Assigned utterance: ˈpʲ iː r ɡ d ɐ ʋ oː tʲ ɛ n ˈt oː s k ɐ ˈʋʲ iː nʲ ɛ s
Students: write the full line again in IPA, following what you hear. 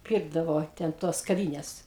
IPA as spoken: ˈpʲ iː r ɡ d ɐ ʋ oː tʲ ɛ n ˈt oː s k ɐ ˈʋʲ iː nʲ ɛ s